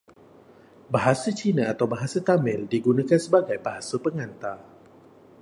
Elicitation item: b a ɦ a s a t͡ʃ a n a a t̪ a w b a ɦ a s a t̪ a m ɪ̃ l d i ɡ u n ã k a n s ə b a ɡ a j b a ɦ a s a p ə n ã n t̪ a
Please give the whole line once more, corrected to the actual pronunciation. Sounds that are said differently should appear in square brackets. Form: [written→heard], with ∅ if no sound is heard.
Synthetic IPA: b a ɦ a s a t͡ʃ [a→i] n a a t̪ a w b a ɦ a s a t̪ a m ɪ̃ l d i ɡ u n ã k a n s ə b a ɡ a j b a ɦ a s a p ə [n→ŋ] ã n t̪ a